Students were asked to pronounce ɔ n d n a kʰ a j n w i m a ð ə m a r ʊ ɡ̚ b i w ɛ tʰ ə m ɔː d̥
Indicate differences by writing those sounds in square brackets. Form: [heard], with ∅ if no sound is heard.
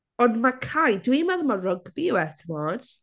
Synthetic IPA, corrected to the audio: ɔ n d [m] a kʰ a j [d] w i m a ð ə m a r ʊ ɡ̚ b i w ɛ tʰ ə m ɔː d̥